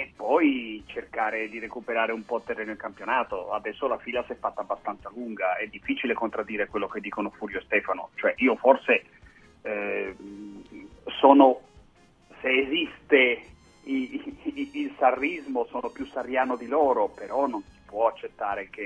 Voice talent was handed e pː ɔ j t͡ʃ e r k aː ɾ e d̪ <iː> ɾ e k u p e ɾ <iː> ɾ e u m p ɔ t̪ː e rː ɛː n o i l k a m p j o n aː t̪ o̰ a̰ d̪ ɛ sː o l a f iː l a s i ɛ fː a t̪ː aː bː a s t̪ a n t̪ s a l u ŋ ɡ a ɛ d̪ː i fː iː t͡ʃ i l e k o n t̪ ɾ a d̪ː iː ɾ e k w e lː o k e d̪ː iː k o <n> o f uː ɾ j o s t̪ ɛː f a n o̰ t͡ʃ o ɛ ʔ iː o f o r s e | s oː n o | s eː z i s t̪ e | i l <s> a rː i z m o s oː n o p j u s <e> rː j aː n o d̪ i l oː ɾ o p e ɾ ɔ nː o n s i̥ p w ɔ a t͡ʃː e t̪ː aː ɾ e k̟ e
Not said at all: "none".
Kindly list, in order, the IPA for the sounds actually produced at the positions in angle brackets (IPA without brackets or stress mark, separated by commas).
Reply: i, aː, n, s, a